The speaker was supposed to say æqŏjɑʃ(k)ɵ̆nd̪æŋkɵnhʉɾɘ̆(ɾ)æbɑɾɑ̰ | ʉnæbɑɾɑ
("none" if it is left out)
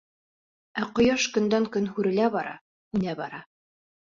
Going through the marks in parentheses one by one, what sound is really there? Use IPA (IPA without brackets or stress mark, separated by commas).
k, l